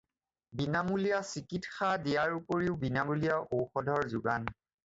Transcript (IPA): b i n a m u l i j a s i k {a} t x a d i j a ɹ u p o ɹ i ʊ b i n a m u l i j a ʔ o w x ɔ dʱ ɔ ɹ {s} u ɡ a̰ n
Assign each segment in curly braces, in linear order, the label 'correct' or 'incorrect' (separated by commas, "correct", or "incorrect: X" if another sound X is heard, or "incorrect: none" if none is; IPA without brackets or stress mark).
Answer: incorrect: i, incorrect: z